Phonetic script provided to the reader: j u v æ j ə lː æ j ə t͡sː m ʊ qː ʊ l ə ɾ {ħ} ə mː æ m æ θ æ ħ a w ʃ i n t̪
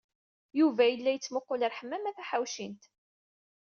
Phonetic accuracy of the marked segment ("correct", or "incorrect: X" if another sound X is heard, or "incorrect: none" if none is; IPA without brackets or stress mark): correct